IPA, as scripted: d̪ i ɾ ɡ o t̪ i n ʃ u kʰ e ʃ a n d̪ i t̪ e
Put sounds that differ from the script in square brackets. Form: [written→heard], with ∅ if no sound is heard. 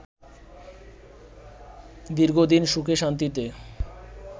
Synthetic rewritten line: d̪ i ɾ ɡ o [t̪→d̪] i n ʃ u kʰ e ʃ a n [d̪→t̪] i t̪ e